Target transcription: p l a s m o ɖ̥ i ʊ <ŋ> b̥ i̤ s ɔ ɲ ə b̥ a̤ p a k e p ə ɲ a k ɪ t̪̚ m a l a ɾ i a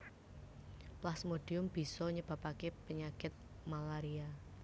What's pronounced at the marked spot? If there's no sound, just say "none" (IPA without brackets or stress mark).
m